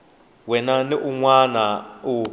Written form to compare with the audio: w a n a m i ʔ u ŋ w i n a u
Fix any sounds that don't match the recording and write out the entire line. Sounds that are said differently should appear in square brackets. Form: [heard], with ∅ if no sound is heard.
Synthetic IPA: w [ɛ] n a [n] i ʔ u ŋ w [a] n a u